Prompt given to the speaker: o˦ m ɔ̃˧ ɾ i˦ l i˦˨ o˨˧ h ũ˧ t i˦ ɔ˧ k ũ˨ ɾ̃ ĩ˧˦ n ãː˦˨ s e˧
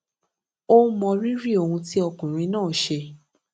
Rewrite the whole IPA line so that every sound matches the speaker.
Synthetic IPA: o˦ m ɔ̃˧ ɾ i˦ ɾ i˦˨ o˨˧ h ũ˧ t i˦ ɔ˧ k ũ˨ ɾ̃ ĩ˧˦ n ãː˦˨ ʃ e˧